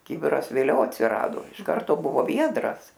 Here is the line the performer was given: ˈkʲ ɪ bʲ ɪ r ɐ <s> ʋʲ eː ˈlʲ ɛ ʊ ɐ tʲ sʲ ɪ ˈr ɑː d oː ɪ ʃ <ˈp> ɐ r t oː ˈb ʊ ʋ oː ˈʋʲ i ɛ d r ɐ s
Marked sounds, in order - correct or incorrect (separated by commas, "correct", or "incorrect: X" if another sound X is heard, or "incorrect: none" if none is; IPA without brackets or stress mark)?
correct, incorrect: k